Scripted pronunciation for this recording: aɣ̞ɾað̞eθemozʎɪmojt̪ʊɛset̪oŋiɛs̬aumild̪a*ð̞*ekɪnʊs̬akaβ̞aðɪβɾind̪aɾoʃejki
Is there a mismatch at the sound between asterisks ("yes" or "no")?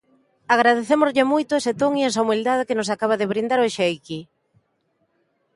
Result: no